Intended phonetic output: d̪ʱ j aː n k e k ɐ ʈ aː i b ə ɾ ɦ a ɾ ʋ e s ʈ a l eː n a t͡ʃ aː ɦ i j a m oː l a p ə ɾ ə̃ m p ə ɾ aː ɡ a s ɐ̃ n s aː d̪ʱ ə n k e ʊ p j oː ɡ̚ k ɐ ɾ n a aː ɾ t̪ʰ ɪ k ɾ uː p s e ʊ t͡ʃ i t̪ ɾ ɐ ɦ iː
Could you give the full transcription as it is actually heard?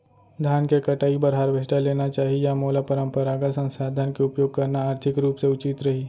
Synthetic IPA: d̪ʱ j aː n k e k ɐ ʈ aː i b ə ɾ ɦ a ɾ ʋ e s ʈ a l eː n a t͡ʃ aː ɦ i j a m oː l a p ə ɾ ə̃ m p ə ɾ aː ɡ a s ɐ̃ n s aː d̪ʱ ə n k e ʊ p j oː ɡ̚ k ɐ ɾ n a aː ɾ t̪ʰ ɪ k ɾ uː p s e ʊ t͡ʃ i t̪ ɾ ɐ ɦ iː

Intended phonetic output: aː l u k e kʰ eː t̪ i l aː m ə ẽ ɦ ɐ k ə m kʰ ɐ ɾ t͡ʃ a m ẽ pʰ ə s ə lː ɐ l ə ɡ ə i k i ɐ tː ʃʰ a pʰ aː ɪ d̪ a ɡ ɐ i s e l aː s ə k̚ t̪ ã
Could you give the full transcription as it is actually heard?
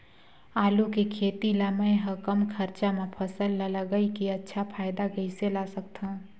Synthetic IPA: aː l u k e kʰ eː t̪ i l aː m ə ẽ ɦ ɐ k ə m kʰ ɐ ɾ t͡ʃ a m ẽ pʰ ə s ə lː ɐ l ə ɡ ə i k i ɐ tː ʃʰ a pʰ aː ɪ d̪ a ɡ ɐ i s e l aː s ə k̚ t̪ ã

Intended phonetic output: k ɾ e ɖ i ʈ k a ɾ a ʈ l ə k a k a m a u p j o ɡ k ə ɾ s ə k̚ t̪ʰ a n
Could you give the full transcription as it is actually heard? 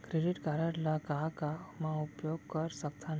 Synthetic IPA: k ɾ e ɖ i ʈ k a ɾ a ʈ l a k a k a m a u p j o ɡ k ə ɾ s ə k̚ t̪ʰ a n

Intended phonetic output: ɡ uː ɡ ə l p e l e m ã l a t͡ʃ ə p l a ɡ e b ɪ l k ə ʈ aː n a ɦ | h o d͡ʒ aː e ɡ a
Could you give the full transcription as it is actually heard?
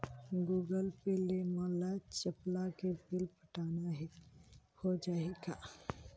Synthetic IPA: ɡ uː ɡ ə l p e l e m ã l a t͡ʃ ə p l a k e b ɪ l p ə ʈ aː n a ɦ | h o d͡ʒ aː e ɡ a

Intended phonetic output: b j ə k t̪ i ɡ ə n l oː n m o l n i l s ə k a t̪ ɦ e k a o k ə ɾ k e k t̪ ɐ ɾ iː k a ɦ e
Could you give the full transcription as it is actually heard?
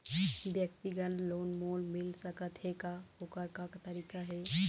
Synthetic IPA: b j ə k t̪ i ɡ ə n l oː n m o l m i l s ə k ə t̪ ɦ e k a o k ə ɾ k a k t̪ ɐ ɾ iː k a ɦ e

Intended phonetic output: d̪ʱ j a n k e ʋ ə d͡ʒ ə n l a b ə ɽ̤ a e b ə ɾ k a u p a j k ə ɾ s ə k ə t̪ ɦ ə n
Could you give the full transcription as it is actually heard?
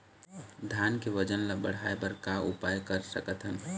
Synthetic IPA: d̪ʱ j a n k e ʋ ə d͡ʒ ə n l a b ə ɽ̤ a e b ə ɾ k a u p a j k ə ɾ s ə k ə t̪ ɦ ə n

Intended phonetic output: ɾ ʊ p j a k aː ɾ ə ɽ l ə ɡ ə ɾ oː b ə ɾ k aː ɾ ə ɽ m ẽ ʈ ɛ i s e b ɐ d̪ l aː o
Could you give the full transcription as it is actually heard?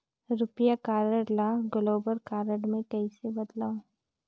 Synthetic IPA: ɾ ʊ p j a k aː ɾ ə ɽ l a ɡ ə l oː b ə ɾ k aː ɾ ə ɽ m ẽ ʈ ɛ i s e b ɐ d̪ l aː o

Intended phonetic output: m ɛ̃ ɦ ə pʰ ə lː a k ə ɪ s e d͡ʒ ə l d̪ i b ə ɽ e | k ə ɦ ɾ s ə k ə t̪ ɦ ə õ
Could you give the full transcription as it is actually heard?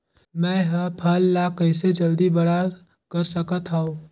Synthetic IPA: m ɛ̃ ɦ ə pʰ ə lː a k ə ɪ s e d͡ʒ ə l d̪ i b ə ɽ a | k ə ɾ s ə k ə t̪ ɦ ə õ

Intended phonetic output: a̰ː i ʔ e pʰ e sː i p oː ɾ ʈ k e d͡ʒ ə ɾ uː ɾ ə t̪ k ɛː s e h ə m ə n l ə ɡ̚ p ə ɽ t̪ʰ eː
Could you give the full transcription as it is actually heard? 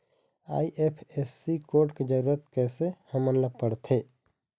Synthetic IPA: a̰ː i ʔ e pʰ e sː i k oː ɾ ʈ k e d͡ʒ ə ɾ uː ɾ ə t̪ k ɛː s e h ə m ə n l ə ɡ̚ p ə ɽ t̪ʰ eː

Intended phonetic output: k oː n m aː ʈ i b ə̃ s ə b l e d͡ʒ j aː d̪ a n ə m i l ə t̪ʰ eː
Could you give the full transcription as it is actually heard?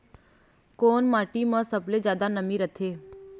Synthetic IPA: k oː n m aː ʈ i m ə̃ s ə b l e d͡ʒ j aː d̪ a n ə m i ɾ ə t̪ʰ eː

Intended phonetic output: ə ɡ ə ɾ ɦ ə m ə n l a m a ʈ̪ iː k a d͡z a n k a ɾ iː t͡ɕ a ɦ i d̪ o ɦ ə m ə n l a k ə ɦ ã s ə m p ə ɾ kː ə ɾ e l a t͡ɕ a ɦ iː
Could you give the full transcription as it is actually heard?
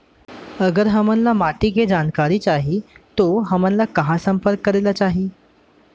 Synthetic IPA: ə ɡ ə ɾ ɦ ə m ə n l a m a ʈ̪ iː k e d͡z a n k a ɾ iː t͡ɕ a ɦ i t̪ o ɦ ə m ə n l a k ə ɦ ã s ə m p ə ɾ kː ə ɾ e l a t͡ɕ a ɦ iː

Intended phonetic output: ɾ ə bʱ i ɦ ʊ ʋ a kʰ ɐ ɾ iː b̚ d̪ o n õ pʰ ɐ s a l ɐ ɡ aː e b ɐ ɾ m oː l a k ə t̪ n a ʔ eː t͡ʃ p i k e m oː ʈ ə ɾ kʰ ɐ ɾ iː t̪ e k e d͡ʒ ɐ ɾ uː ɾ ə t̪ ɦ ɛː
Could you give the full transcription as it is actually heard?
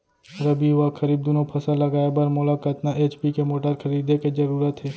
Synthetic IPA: ɾ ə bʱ i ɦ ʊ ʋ a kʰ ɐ ɾ iː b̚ d̪ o n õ pʰ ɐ s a l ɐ ɡ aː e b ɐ ɾ m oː l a k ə t̪ n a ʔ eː t͡ʃ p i k e m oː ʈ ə ɾ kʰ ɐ ɾ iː d̪ e k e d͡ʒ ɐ ɾ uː ɾ ə t̪ ɦ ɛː

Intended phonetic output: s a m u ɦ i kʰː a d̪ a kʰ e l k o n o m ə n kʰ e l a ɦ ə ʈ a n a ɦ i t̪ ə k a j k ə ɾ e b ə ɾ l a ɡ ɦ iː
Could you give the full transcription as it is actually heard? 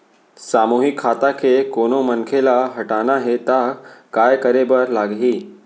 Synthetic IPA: s a m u ɦ i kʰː a t̪ a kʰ e k o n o m ə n kʰ e l a ɦ ə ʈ a n a ɦ e t̪ a k a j k ə ɾ e b ə ɾ l a ɡ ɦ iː

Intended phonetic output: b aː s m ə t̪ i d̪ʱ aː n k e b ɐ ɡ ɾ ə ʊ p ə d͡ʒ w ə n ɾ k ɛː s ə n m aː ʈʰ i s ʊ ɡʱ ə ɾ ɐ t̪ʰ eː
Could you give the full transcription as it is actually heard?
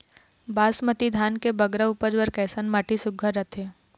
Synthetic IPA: b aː s m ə t̪ i d̪ʱ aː n k e b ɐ ɡ ɾ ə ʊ p ə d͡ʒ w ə ɾ k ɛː s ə n m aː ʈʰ i s ʊ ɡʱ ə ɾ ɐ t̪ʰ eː

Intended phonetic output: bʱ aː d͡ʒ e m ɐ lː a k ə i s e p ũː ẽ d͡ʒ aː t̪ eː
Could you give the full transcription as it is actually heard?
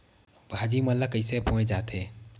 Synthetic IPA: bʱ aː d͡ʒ i m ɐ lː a k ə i s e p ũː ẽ d͡ʒ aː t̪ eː

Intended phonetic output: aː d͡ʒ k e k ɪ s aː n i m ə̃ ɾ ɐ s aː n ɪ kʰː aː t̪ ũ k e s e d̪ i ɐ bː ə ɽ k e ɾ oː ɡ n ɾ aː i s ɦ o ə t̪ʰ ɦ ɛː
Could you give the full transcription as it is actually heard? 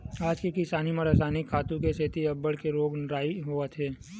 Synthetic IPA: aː d͡ʒ k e k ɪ s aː n i m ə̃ ɾ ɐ s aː n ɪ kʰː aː t̪ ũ k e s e t̪ i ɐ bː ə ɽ k e ɾ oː ɡ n ɾ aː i ɦ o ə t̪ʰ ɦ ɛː

